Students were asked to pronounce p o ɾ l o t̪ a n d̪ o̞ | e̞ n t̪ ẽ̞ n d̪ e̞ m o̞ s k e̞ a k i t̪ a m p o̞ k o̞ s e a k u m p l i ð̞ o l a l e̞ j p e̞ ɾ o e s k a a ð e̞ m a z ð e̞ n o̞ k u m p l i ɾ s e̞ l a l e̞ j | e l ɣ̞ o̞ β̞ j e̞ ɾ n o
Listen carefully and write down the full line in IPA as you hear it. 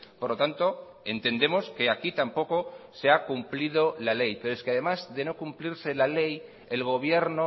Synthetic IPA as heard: p o ɾ l o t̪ a n t̪ o̞ | e̞ n t̪ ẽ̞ n d̪ e̞ m o̞ s k e̞ a k i t̪ a m p o̞ k o̞ s e a k u m p l i ð̞ o l a l e̞ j p e̞ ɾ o e s k e a ð e̞ m a z ð e̞ n o̞ k u m p l i ɾ s e̞ l a l e̞ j | e l ɣ̞ o̞ β̞ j e̞ ɾ n o